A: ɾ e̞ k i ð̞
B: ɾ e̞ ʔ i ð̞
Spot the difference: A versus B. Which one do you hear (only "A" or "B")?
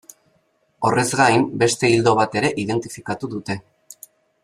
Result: B